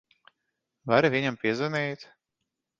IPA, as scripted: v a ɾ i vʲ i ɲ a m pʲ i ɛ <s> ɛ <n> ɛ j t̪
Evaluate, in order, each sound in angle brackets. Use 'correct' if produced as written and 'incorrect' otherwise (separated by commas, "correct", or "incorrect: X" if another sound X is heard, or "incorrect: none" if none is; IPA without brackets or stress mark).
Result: incorrect: z, correct